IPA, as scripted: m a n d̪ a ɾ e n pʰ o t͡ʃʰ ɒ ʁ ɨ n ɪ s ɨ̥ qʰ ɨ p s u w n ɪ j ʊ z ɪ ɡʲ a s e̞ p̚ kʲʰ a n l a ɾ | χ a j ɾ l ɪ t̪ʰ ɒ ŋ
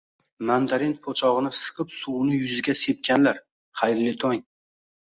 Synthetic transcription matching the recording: m a n d̪ a ɾ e n pʰ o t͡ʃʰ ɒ ʁ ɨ n ɪ s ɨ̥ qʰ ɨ p s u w n ɪ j ʊ z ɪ ɡʲ a s e̞ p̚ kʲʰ a n l a ɾ | χ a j ɾ l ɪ t̪ʰ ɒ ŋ